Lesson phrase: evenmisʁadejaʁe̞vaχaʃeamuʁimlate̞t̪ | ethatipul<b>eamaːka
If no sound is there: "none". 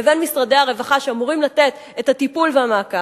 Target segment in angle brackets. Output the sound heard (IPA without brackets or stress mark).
v